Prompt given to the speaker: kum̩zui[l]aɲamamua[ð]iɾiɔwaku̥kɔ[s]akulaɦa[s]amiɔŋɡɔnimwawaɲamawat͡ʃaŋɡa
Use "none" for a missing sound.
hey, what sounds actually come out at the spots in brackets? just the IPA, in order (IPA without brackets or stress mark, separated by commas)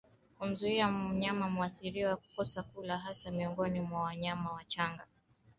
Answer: none, θ, s, s